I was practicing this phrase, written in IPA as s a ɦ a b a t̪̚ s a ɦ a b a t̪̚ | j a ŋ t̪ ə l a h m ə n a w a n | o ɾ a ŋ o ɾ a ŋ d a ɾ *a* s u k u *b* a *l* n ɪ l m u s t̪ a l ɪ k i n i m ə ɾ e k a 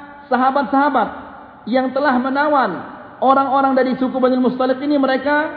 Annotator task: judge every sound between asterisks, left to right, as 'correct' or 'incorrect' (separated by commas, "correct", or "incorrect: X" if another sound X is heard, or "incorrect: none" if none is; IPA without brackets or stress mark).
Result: incorrect: i, correct, incorrect: none